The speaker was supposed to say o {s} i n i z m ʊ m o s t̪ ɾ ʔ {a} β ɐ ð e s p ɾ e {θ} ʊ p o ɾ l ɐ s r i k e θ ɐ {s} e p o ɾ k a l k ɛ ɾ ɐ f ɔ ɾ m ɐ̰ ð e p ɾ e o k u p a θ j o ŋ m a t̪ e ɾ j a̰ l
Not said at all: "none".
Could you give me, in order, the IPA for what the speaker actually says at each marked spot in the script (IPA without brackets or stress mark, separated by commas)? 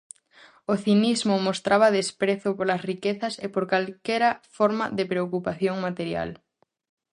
θ, a, θ, s